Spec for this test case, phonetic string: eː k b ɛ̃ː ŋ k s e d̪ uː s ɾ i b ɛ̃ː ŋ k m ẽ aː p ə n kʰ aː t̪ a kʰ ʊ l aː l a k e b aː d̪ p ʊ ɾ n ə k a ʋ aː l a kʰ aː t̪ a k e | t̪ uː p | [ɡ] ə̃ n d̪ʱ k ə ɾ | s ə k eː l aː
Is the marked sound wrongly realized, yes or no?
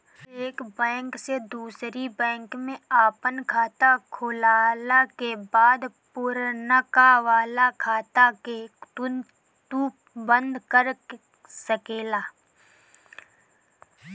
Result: yes